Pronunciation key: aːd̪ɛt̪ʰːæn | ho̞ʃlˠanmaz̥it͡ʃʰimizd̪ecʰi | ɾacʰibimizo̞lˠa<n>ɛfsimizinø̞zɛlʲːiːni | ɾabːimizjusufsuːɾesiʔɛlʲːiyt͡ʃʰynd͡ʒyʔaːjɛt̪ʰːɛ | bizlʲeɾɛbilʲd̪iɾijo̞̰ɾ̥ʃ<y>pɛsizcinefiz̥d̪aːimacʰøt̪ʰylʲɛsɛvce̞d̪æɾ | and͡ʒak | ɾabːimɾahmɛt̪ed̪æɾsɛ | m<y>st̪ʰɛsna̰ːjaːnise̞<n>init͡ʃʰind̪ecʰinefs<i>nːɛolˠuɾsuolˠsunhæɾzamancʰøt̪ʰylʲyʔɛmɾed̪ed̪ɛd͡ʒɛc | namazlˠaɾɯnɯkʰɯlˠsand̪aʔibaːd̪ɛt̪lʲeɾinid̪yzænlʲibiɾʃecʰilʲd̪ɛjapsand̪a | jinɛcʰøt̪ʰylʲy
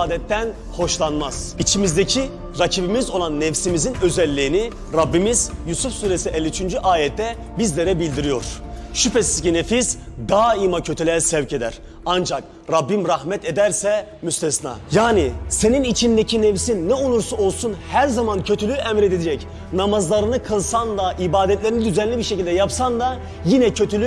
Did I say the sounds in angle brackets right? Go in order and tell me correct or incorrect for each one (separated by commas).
incorrect, correct, correct, correct, correct